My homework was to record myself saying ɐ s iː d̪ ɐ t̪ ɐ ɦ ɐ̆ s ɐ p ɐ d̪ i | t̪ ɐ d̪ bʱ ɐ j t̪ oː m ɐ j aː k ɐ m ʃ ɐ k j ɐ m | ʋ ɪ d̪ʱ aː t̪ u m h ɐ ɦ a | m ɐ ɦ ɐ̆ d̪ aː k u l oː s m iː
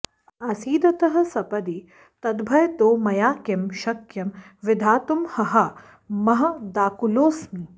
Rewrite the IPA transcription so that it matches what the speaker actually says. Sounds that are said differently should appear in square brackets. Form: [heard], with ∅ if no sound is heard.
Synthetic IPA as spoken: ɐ s iː d̪ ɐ t̪ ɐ ɦ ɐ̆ s ɐ p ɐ d̪ i | t̪ ɐ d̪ bʱ ɐ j t̪ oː m ɐ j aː k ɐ m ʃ ɐ k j ɐ m | ʋ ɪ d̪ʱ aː t̪ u m h ɐ ɦ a | m ɐ ɦ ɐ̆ d̪ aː k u l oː s m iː